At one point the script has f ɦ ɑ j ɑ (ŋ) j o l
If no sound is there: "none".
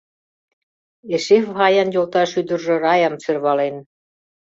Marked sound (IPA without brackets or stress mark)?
n